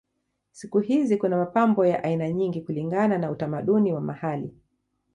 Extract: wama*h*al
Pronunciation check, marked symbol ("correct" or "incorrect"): correct